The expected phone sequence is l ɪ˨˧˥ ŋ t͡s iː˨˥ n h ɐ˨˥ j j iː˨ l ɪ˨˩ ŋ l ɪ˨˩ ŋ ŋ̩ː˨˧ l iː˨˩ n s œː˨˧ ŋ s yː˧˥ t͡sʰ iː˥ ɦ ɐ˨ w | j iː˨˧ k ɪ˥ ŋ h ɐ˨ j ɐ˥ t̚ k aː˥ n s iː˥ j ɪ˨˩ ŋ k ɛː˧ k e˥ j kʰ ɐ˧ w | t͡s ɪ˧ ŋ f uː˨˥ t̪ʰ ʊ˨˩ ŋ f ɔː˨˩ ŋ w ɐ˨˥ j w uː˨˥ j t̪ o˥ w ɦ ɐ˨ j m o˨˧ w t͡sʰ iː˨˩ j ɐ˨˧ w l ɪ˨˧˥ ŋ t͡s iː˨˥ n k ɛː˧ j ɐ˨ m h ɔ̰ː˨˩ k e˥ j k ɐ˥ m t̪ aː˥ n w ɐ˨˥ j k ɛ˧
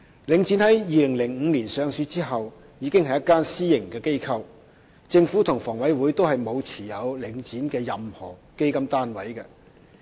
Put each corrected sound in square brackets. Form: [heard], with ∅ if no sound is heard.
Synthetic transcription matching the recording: l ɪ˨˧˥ ŋ t͡s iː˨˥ n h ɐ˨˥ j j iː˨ l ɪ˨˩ ŋ l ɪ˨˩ ŋ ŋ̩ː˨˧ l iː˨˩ n s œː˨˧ ŋ s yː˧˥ [t͡s] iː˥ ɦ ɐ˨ w | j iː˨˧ k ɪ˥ ŋ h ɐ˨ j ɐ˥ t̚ k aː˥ n s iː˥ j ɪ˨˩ ŋ k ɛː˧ k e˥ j kʰ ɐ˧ w | t͡s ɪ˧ ŋ f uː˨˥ t̪ʰ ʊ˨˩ ŋ f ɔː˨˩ ŋ w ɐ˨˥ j w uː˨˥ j t̪ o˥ w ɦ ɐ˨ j m o˨˧ w t͡sʰ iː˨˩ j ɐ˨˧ w l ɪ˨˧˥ ŋ t͡s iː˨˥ n k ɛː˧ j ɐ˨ m h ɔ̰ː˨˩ k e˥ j k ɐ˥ m t̪ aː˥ n w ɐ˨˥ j k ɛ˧